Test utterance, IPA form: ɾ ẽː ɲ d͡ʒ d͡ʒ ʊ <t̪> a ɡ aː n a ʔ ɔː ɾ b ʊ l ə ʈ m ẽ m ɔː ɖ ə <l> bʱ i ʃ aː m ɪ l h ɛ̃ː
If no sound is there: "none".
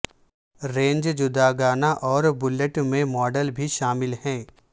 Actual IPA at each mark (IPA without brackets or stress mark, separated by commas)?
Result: d̪, l